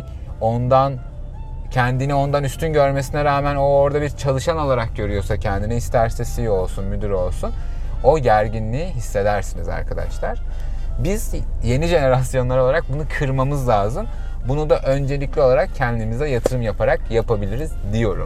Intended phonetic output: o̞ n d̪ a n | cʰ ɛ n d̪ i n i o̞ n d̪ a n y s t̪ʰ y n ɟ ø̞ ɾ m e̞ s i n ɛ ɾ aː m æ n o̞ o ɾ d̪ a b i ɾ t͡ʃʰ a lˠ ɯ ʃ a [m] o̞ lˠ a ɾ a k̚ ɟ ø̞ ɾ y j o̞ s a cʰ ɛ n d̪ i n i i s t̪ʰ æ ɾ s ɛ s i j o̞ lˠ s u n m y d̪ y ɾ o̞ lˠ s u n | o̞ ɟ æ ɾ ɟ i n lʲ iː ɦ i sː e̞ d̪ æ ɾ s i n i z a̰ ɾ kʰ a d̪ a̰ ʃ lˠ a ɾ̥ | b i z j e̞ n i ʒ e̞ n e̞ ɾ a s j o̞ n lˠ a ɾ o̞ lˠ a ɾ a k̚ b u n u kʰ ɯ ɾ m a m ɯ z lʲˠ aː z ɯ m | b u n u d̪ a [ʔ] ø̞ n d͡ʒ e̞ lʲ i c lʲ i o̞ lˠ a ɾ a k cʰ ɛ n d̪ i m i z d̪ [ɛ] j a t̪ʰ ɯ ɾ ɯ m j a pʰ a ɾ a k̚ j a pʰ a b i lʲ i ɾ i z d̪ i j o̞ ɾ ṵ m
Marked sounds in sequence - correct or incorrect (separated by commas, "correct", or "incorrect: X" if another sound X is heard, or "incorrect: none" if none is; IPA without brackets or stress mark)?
incorrect: n, correct, correct